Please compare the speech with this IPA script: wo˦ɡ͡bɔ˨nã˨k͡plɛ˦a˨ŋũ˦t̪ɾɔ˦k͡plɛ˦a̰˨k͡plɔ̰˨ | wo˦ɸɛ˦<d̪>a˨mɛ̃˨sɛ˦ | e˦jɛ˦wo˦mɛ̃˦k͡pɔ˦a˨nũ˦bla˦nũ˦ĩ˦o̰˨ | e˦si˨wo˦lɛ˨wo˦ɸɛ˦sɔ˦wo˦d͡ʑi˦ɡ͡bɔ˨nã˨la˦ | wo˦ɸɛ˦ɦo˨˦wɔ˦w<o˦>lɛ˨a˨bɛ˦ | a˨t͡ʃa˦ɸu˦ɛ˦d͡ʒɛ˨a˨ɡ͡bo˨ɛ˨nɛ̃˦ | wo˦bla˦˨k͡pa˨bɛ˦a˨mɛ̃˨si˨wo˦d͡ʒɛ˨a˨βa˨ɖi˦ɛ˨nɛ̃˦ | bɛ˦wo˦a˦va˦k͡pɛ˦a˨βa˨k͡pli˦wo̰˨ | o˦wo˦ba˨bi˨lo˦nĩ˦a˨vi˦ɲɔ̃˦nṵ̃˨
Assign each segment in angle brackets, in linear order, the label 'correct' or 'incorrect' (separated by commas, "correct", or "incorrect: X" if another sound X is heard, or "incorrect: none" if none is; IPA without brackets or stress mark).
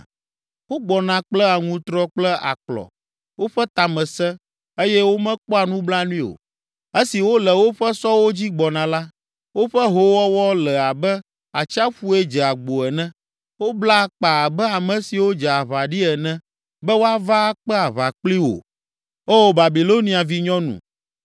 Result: incorrect: t̪, incorrect: ɔ˦